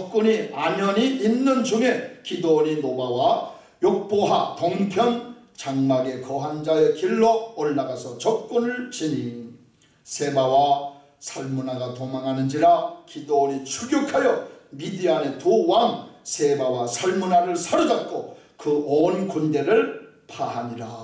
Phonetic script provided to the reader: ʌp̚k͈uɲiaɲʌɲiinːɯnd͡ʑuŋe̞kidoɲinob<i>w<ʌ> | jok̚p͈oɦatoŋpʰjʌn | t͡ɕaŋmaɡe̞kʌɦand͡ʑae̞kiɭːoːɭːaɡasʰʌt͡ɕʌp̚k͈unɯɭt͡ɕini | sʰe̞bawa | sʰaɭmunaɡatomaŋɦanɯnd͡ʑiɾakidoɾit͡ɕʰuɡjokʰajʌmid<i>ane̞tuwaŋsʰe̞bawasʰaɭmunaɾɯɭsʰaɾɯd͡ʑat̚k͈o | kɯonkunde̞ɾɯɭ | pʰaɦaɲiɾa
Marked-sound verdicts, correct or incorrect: incorrect, incorrect, correct

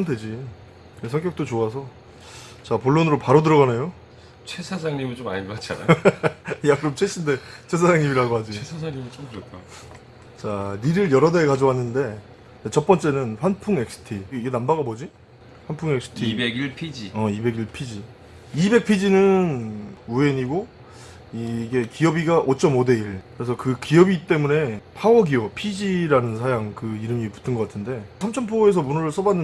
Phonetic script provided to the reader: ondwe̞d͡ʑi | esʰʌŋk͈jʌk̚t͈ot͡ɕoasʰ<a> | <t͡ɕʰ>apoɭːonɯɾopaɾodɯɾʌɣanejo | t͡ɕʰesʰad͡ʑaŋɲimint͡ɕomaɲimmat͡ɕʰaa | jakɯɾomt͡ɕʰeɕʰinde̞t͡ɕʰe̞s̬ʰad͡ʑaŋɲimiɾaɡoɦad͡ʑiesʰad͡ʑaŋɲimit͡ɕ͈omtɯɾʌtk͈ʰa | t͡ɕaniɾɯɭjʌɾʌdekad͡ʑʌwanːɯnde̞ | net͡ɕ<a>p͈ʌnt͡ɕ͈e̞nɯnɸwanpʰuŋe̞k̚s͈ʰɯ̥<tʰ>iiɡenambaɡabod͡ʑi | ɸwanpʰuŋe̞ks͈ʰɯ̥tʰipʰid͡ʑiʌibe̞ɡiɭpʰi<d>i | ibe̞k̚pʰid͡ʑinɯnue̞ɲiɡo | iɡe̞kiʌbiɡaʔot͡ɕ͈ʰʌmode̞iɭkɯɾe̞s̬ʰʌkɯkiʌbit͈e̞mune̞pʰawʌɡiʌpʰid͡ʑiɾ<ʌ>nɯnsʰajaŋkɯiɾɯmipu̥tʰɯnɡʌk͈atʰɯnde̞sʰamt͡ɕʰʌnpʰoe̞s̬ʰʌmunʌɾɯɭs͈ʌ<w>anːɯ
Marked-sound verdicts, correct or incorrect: incorrect, incorrect, incorrect, correct, incorrect, incorrect, incorrect

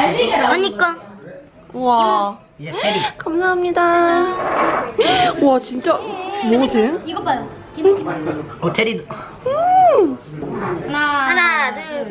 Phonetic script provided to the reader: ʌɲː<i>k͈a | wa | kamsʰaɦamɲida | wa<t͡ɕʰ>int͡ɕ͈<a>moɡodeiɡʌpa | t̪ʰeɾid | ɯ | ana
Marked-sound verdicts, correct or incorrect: correct, incorrect, correct

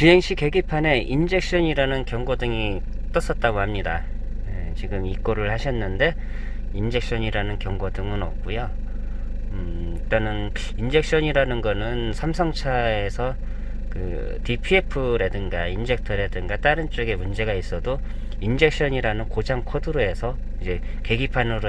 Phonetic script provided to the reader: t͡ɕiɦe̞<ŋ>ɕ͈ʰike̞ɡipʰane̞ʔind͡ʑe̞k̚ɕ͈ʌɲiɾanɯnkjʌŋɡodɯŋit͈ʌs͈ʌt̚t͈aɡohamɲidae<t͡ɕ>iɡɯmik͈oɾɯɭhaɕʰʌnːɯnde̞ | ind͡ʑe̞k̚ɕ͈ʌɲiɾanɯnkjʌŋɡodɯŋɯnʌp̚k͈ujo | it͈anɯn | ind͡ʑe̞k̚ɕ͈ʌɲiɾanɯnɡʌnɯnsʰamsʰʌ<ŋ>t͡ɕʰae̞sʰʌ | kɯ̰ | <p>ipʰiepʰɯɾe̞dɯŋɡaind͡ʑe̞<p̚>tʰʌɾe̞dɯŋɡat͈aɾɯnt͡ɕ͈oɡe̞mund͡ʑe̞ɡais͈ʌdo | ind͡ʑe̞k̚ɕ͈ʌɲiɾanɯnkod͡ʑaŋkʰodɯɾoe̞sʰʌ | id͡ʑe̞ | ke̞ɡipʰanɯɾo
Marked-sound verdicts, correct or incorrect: correct, correct, correct, incorrect, incorrect

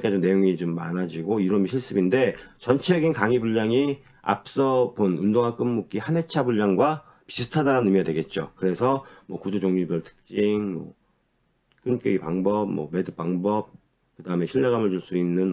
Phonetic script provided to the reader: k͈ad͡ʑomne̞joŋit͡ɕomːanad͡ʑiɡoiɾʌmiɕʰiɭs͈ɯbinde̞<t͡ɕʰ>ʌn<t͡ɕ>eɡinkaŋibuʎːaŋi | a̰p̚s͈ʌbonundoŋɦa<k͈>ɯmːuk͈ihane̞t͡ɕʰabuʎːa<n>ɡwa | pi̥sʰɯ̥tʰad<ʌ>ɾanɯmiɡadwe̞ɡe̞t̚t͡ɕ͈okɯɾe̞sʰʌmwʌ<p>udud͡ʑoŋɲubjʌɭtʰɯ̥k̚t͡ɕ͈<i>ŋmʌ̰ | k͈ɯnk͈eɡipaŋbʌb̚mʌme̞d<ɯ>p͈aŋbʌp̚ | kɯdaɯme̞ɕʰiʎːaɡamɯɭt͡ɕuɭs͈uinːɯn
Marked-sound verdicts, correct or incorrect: incorrect, incorrect, correct, incorrect, incorrect, incorrect, correct, correct

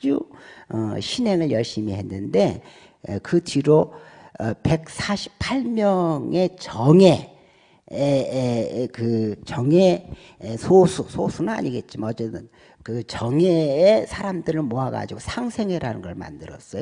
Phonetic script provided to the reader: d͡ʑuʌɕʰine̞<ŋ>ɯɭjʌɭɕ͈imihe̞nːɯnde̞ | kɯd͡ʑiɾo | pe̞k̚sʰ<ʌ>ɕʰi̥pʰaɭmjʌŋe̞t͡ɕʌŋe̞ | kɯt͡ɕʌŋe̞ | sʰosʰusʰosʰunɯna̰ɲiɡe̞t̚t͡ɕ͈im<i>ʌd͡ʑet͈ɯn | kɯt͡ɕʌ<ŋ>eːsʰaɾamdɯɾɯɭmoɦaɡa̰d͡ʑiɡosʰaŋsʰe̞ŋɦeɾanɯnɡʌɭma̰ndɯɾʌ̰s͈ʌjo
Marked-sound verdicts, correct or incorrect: correct, incorrect, incorrect, correct

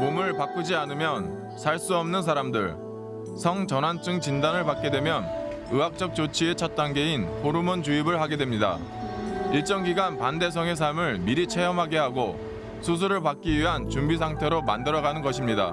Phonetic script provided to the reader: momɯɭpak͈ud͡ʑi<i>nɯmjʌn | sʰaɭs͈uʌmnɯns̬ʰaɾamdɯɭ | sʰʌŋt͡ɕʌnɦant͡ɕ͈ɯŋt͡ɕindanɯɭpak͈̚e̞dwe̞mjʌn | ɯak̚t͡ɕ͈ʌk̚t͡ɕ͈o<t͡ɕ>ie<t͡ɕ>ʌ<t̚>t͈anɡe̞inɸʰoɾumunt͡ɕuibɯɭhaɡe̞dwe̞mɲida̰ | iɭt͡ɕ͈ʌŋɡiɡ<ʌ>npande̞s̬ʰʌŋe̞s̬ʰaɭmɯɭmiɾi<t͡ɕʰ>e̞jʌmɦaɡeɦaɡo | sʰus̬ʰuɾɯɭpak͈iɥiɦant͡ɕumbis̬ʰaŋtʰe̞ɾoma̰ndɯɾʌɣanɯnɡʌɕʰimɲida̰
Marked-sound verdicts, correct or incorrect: incorrect, incorrect, incorrect, correct, incorrect, correct

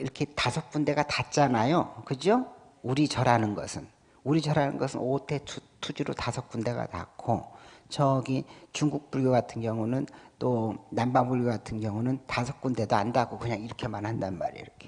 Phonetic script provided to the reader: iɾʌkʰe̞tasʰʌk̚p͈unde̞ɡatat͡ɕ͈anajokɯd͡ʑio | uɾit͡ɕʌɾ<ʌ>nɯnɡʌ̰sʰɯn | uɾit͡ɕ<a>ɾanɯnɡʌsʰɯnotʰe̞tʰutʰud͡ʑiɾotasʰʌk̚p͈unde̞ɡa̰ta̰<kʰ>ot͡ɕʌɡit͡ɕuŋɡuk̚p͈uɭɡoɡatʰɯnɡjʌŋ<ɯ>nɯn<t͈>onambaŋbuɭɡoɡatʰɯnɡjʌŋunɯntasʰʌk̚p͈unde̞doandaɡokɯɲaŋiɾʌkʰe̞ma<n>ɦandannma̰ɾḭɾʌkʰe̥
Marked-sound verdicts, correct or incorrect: incorrect, incorrect, correct, incorrect, correct, correct

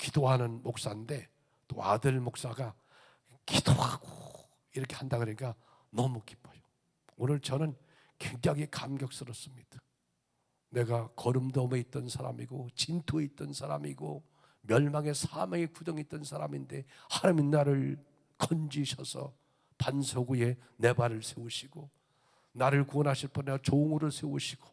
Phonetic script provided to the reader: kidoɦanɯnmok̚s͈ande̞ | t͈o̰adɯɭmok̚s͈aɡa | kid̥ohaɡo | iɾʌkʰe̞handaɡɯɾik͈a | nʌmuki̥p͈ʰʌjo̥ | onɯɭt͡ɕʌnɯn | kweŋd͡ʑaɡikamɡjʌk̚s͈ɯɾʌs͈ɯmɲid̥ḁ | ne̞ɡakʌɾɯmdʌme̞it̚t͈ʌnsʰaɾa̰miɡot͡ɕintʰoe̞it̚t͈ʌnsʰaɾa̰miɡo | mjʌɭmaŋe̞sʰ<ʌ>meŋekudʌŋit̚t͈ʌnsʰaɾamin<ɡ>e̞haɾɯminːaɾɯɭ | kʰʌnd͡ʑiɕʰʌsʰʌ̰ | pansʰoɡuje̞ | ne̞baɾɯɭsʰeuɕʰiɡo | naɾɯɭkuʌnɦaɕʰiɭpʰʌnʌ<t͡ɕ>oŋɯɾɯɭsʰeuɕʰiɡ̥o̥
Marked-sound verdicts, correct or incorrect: incorrect, incorrect, correct

